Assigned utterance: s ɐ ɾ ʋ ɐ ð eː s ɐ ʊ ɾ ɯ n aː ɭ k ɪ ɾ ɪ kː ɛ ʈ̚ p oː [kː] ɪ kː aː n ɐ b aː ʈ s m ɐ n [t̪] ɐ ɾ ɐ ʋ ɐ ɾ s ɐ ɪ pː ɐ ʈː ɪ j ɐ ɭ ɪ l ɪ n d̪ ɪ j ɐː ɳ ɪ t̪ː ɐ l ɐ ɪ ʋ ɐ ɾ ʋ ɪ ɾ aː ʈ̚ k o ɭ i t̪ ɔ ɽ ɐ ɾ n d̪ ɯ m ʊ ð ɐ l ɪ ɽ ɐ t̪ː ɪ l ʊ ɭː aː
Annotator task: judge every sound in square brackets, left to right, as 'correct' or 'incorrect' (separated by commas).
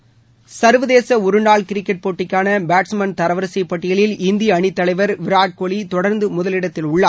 incorrect, correct